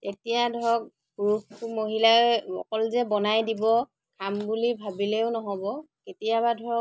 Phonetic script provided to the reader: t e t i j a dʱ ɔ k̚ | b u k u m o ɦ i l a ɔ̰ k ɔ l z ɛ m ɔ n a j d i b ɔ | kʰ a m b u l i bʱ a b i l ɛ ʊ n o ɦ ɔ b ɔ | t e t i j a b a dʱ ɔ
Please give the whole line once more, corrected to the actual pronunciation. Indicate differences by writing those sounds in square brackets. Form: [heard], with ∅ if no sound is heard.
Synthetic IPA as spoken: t e t i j a dʱ ɔ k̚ | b u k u m o ɦ i l a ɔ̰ k ɔ l z ɛ [b] ɔ n a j d i b ɔ | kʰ a m b u l i bʱ a b i l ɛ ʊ n [ɔ] ɦ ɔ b ɔ | [k] e t i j a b a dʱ ɔ